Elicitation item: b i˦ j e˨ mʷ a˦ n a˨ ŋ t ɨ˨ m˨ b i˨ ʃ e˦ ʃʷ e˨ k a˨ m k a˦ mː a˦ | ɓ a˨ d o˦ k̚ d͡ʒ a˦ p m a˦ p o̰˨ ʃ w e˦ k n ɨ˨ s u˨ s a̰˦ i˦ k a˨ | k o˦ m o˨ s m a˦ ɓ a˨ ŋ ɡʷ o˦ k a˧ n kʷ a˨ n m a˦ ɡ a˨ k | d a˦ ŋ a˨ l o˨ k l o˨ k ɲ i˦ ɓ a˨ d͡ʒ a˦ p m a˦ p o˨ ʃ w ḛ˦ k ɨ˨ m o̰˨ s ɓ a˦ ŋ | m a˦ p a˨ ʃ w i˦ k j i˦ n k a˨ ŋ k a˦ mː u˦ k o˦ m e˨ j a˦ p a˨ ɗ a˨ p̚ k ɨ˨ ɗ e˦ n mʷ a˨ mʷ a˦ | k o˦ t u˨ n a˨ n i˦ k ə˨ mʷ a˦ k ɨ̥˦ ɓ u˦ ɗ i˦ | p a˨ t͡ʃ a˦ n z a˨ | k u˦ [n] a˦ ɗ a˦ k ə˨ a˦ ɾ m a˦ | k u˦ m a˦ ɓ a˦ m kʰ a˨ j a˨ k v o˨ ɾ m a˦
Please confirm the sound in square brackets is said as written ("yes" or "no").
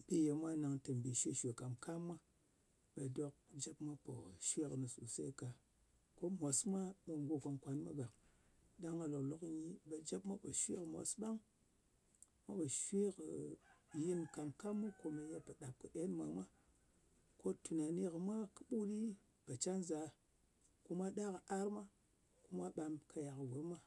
no